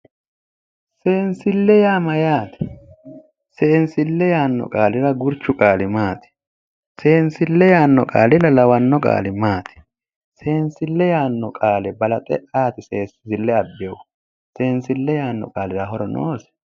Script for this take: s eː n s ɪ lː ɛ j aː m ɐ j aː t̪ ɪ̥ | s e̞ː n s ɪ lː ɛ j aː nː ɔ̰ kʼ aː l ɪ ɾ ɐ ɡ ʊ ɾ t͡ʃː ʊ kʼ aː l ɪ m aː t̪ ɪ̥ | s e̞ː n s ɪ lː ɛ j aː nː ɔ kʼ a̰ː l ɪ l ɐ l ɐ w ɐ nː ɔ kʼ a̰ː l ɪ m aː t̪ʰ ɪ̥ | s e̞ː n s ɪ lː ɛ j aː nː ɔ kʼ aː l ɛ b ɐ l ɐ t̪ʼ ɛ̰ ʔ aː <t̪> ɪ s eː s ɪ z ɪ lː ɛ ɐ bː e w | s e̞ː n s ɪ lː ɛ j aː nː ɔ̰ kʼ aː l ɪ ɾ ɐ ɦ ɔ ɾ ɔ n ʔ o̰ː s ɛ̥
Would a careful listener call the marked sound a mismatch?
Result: no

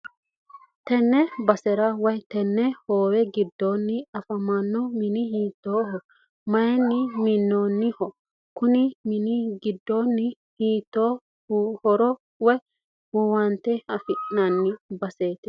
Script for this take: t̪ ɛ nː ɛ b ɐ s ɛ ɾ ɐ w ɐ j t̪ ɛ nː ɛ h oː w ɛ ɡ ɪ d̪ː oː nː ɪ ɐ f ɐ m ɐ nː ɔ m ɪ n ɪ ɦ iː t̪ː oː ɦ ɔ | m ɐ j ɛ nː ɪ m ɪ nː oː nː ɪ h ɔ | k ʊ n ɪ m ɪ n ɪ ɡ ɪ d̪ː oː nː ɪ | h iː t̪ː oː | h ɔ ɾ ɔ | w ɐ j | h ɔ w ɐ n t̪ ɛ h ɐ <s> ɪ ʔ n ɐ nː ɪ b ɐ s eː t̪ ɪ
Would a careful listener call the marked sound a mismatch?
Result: yes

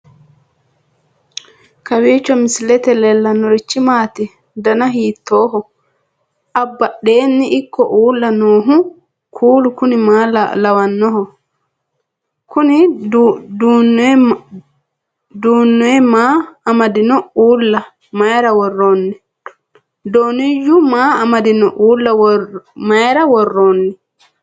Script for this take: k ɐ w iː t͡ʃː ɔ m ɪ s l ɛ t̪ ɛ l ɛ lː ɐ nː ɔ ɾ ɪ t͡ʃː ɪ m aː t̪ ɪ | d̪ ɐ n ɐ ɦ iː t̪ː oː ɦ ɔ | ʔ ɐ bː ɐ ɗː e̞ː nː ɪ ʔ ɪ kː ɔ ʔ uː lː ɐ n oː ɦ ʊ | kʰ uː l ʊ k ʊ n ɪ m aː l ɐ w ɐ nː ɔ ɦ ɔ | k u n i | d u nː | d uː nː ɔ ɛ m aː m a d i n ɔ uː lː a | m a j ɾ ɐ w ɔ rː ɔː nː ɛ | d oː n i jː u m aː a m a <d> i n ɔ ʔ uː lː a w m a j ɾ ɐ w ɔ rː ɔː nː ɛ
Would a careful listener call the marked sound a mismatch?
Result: no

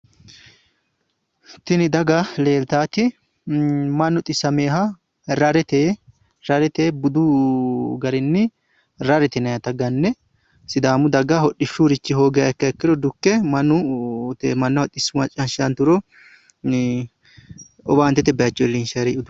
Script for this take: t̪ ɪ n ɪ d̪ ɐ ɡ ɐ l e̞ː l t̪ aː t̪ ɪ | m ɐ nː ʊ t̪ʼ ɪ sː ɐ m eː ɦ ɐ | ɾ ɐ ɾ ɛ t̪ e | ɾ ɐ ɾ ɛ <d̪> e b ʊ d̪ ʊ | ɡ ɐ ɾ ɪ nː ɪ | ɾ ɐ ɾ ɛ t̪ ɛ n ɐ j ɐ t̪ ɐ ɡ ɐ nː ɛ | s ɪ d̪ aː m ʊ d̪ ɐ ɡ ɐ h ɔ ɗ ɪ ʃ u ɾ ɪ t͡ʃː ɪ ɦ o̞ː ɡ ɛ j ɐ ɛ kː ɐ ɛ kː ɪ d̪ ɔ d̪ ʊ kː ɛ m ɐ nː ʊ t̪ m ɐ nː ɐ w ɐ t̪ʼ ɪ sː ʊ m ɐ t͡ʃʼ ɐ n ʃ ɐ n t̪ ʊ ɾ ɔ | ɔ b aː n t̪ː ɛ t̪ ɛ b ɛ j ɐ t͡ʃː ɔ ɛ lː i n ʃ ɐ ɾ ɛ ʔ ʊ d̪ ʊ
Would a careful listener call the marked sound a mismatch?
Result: yes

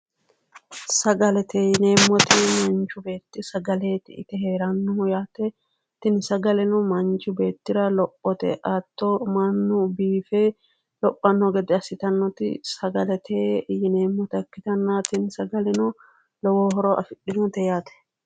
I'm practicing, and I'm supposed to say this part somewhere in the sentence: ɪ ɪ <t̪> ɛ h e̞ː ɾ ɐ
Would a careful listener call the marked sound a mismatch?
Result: no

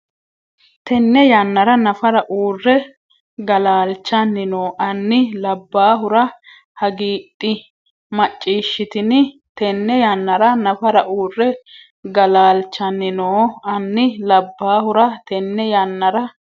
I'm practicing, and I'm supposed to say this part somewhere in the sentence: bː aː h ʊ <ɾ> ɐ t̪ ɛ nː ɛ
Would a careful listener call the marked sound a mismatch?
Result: no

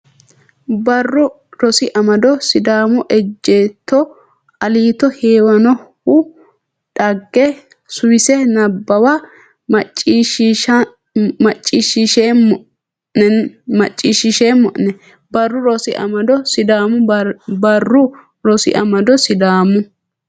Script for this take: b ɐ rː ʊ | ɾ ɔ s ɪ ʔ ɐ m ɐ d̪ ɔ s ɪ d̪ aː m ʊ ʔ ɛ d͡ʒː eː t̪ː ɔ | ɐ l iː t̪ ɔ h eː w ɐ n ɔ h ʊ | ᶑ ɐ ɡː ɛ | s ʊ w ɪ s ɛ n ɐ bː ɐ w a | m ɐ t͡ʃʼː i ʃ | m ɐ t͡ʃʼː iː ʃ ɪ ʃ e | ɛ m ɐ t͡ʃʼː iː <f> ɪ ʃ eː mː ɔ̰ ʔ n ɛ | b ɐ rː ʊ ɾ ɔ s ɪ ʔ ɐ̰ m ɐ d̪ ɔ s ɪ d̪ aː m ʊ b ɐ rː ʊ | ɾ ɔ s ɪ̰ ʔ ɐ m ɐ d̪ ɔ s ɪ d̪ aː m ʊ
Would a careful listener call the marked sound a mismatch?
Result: yes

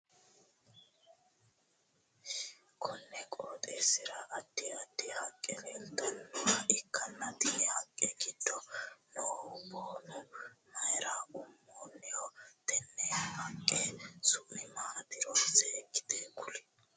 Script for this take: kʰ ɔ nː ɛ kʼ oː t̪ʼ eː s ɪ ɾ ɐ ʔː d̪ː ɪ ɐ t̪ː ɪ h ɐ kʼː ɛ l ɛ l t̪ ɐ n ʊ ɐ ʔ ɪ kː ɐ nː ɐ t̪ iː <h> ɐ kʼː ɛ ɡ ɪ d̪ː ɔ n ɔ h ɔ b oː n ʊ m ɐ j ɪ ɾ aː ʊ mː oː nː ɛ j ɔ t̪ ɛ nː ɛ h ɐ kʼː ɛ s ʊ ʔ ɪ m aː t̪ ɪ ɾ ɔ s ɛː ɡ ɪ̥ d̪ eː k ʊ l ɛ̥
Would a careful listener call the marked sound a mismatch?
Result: no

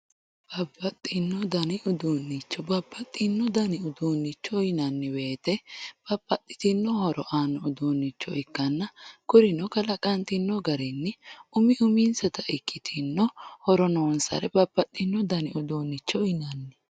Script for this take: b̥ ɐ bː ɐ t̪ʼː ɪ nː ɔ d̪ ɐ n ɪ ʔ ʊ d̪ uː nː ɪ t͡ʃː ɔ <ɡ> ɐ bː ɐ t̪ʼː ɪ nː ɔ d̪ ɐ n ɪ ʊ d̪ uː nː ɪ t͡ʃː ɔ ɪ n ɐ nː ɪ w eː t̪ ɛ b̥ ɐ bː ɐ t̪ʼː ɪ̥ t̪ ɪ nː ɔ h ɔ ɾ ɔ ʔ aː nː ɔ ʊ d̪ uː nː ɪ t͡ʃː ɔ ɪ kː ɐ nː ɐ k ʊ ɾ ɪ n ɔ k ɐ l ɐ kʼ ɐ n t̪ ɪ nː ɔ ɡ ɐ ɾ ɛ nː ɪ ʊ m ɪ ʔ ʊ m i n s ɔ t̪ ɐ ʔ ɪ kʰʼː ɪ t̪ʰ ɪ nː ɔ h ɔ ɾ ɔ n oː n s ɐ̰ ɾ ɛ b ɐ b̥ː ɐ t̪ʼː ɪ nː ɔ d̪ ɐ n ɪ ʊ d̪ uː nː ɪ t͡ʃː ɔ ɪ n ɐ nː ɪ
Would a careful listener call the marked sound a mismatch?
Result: yes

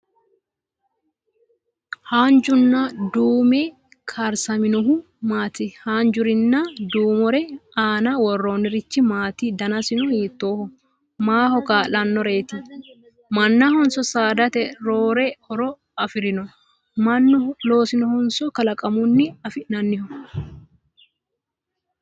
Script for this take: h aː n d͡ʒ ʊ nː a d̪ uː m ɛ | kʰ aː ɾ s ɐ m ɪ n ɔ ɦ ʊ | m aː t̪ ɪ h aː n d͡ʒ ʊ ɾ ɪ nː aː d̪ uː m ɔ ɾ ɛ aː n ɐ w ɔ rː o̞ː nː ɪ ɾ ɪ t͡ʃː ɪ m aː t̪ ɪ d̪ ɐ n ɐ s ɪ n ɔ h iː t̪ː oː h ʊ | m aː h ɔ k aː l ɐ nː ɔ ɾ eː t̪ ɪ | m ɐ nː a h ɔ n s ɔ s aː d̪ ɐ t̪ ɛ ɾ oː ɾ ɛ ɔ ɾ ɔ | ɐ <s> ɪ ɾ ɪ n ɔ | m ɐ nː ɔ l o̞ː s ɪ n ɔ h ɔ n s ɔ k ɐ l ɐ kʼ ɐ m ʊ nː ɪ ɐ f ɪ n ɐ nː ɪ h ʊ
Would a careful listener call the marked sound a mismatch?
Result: yes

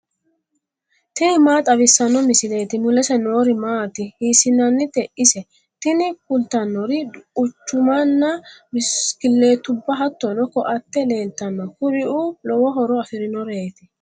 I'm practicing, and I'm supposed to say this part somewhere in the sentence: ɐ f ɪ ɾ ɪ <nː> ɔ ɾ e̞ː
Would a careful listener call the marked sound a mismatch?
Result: yes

